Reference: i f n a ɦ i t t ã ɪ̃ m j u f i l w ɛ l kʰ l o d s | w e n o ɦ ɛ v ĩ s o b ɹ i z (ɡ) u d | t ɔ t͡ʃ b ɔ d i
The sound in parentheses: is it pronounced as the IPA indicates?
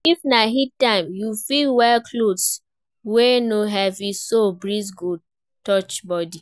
yes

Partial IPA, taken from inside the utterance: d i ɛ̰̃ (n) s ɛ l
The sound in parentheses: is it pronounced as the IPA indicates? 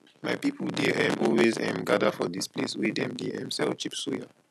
no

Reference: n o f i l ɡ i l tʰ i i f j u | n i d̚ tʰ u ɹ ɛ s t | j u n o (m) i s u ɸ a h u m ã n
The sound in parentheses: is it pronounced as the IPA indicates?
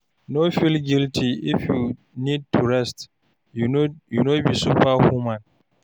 no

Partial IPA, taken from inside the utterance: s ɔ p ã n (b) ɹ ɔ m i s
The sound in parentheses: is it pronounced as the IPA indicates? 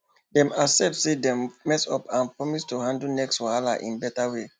no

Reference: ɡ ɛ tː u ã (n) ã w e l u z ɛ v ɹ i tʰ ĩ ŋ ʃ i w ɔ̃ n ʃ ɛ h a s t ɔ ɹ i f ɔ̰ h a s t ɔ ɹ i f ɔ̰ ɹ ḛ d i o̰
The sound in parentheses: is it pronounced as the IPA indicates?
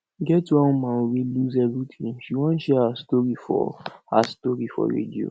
no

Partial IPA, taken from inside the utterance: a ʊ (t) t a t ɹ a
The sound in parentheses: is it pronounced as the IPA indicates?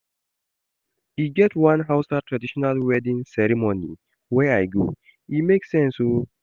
no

